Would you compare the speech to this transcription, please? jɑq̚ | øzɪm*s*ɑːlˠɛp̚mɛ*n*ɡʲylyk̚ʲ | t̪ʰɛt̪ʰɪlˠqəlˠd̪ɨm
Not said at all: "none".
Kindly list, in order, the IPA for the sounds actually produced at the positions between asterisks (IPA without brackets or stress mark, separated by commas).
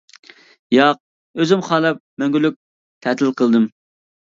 χ, ŋ